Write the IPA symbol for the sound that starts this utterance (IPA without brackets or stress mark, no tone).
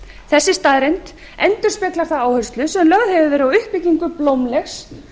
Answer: θ